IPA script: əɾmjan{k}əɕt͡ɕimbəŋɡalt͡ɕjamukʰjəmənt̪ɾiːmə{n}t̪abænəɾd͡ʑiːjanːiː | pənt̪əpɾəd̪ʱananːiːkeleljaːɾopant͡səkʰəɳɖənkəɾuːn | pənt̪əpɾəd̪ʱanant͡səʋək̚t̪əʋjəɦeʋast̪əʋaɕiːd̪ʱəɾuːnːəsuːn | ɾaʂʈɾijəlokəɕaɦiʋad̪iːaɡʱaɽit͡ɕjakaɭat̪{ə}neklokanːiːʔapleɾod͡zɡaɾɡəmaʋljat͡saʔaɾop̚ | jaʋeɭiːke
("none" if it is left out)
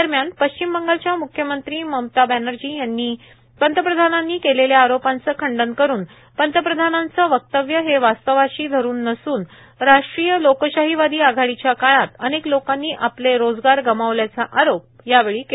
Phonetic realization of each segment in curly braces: p, m, ə

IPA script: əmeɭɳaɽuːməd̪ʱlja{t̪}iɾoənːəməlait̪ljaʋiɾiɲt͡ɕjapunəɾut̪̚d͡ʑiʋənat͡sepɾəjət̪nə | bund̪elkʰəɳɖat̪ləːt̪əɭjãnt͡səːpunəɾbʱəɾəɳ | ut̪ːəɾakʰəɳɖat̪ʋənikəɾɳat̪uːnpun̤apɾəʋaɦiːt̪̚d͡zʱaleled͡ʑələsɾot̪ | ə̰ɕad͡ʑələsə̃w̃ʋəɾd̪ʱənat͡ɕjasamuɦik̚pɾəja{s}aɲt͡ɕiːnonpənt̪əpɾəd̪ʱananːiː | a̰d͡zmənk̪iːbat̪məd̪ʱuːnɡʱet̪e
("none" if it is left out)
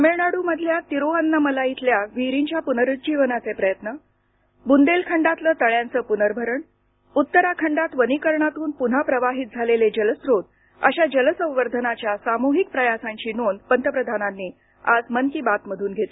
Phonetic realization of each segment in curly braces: t̪, s

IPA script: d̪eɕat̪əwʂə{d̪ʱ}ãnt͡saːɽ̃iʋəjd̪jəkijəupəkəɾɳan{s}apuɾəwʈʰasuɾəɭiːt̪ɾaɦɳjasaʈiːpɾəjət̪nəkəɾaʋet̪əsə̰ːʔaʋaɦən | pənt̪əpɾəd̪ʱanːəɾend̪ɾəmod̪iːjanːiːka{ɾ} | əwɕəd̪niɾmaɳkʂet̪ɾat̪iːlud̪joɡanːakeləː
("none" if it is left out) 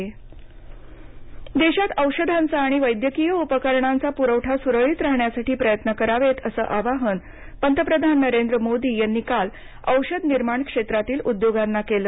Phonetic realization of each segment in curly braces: d̪ʱ, t͡s, l

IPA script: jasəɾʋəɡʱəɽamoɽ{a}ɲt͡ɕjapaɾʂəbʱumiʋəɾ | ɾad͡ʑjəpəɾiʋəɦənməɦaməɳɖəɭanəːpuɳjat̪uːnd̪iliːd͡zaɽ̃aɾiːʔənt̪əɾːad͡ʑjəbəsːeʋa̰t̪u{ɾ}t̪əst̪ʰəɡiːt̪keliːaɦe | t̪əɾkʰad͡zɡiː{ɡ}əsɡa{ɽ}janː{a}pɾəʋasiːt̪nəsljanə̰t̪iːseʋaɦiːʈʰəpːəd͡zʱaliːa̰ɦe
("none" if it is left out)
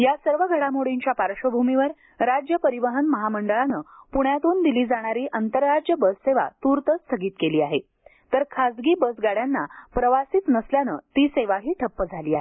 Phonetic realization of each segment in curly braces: i, ɾ, b, ɽ, a

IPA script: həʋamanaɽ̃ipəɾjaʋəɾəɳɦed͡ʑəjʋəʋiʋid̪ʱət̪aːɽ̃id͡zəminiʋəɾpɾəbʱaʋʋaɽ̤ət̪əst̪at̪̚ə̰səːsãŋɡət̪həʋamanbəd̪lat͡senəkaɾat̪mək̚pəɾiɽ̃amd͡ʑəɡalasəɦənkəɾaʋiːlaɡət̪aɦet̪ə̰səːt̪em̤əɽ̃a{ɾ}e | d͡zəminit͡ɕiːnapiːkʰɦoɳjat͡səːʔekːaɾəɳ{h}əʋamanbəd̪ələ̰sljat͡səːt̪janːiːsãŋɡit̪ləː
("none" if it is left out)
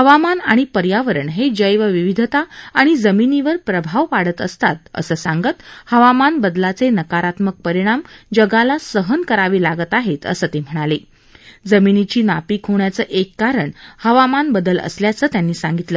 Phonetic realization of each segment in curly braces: l, h

